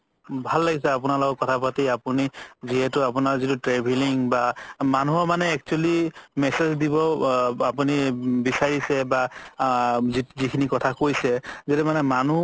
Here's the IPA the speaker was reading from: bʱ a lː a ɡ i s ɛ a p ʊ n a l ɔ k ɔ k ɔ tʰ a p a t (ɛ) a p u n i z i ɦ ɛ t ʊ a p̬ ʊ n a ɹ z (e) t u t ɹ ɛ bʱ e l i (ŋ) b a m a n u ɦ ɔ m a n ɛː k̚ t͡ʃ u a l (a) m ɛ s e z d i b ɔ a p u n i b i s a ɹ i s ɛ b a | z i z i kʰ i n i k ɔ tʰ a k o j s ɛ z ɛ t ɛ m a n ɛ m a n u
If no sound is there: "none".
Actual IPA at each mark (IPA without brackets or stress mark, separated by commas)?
i, i, ŋ, i